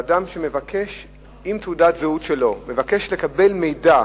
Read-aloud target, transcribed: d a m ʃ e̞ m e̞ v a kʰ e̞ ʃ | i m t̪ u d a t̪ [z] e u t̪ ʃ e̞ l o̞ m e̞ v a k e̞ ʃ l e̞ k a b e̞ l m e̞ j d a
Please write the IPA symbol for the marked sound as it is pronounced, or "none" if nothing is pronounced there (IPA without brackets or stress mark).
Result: z